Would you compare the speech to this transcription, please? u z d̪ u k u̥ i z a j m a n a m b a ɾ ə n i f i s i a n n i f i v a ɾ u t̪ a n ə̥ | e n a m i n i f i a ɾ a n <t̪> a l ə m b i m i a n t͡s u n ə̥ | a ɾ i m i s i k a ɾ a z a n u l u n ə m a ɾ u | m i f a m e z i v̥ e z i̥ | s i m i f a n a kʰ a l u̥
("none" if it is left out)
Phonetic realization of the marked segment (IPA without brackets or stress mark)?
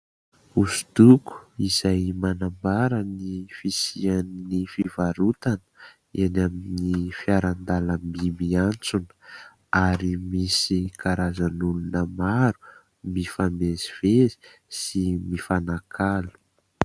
d̪